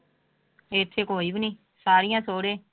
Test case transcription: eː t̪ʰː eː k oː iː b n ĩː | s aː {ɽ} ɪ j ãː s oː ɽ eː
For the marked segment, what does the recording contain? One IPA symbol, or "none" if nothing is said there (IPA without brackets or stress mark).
ɾ